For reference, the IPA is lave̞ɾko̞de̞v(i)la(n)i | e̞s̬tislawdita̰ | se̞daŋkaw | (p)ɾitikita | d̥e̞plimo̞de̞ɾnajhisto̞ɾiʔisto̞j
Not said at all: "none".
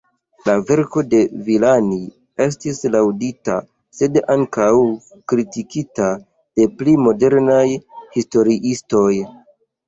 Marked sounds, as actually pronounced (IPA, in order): i, n, k

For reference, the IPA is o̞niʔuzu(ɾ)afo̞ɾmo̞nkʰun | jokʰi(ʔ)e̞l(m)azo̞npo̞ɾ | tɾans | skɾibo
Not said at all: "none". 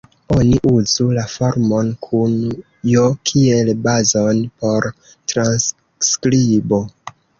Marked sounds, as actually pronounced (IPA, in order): l, none, b

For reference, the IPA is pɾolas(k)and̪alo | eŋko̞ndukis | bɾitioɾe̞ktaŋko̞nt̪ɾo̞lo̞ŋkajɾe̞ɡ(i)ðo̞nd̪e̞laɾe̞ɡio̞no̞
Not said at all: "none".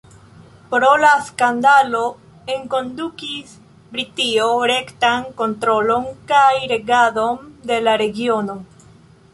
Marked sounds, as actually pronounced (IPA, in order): k, a

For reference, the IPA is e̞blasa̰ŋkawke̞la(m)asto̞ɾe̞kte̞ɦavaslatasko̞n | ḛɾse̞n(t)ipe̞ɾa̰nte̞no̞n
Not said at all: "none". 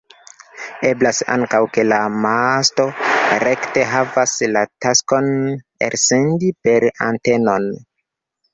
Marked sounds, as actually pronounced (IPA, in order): m, d

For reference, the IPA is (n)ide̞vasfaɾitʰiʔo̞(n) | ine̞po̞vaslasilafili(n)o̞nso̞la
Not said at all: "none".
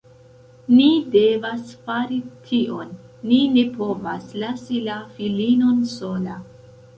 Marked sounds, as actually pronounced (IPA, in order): n, nː, n

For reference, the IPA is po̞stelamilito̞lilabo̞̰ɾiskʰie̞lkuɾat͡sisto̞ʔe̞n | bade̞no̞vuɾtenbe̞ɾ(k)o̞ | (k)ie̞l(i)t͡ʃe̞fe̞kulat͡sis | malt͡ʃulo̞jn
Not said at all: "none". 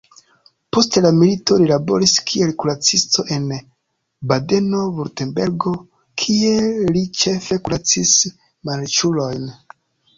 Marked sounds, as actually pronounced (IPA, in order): ɡ, kʰ, i

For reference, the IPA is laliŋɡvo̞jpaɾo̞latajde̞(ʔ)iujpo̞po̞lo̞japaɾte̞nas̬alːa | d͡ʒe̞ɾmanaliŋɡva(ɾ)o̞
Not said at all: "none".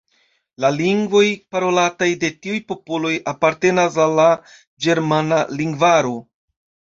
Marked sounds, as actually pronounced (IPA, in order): t, ɾ

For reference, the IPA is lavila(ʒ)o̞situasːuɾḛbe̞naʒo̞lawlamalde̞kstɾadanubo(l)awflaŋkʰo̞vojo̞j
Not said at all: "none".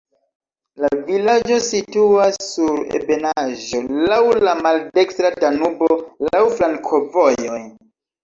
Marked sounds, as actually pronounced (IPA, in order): d͡ʒ, l

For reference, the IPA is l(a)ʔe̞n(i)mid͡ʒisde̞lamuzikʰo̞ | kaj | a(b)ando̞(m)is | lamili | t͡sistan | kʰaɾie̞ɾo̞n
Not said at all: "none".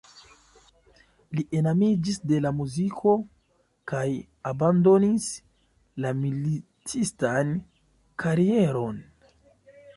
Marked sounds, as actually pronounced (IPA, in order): i, a, b, n

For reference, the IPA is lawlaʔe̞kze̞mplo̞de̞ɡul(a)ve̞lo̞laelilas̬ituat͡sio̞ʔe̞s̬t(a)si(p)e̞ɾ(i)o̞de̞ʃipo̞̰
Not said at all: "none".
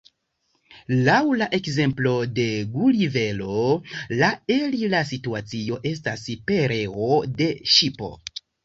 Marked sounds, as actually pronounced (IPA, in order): i, a, p, e

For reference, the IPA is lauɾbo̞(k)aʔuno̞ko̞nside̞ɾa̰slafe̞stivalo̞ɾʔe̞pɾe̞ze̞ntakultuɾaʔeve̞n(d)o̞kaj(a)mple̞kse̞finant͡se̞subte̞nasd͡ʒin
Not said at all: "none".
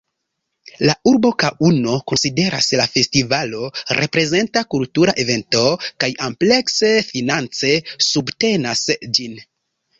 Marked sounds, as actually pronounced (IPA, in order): k, t, a

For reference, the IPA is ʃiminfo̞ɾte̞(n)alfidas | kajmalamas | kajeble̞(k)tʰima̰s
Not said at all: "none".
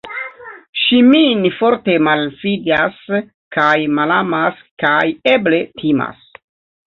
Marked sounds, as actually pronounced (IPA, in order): m, none

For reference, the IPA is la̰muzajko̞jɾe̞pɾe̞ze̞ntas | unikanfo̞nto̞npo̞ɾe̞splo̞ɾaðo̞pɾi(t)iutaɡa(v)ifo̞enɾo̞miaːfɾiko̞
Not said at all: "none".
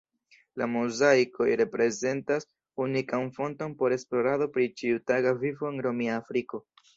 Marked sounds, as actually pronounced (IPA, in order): t͡ʃ, v

